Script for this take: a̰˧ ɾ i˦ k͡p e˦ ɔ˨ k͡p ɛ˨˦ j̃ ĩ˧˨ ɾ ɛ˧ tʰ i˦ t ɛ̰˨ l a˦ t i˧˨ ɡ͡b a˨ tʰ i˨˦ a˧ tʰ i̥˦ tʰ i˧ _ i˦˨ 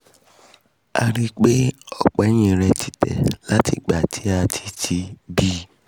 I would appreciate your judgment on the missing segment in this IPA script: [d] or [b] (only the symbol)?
b